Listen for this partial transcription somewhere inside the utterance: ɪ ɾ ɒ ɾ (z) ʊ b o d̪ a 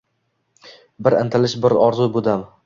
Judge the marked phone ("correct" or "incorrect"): correct